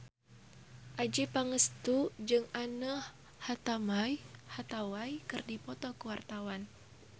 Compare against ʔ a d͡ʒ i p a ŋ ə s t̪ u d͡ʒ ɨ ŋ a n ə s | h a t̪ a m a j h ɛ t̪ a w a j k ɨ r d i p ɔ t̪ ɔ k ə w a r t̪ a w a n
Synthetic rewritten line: ʔ a d͡ʒ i p a ŋ ə s t̪ u d͡ʒ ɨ ŋ a n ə h | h a t̪ a m a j h a t̪ a w a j k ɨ r d i p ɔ t̪ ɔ k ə w a r t̪ a w a n